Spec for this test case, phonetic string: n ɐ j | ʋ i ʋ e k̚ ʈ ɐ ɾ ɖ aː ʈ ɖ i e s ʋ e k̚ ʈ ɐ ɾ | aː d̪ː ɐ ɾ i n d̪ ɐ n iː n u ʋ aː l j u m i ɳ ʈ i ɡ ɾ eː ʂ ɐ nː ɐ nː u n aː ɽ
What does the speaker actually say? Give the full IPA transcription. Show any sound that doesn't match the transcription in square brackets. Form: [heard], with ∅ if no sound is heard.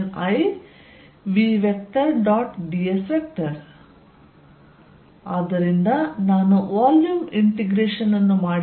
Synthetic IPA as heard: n ɐ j | ʋ i ʋ e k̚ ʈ ɐ ɾ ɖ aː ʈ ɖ i e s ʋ e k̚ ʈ ɐ ɾ | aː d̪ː ɐ ɾ i n d̪ ɐ n [aː] n u ʋ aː l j u m i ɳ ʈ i ɡ ɾ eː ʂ ɐ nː ɐ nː u [m] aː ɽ